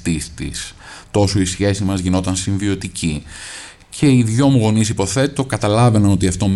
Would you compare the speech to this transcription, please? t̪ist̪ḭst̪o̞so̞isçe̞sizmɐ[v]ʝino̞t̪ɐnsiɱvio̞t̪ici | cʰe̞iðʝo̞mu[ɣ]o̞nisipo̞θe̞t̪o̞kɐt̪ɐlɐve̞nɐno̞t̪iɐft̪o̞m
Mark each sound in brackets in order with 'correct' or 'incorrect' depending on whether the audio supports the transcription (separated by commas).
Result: incorrect, correct